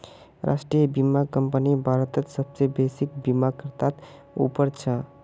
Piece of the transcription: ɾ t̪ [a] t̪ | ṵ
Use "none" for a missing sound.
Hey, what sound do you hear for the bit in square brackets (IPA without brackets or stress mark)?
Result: a